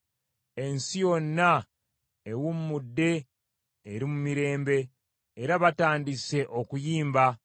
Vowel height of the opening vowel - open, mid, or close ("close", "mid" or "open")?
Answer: mid